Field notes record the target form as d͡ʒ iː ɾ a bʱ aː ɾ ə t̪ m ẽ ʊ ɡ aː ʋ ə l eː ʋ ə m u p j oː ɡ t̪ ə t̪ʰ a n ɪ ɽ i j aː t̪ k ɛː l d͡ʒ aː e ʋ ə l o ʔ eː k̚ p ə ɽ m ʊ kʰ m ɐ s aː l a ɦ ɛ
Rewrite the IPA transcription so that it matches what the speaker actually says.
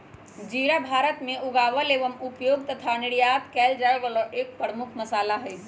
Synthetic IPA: d͡ʒ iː ɾ a bʱ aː ɾ ə t̪ m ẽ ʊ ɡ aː ʋ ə l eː ʋ ə m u p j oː ɡ t̪ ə t̪ʰ a n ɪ ɽ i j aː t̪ k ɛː l d͡ʒ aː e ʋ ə l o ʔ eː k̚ p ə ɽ m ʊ kʰ m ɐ s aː l a ɦ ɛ